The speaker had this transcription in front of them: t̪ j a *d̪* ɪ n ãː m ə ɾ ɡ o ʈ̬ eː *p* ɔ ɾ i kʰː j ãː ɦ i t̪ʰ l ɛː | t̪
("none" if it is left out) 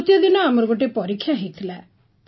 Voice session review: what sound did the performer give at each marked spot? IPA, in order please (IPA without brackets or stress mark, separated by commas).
d̪, p